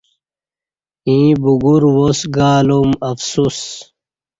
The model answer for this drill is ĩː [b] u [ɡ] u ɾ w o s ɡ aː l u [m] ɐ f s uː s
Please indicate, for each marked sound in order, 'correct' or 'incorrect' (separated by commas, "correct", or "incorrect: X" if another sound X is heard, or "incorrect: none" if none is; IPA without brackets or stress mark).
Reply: correct, correct, correct